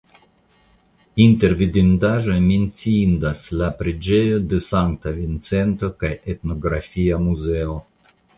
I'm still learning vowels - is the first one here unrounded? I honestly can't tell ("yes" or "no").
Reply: yes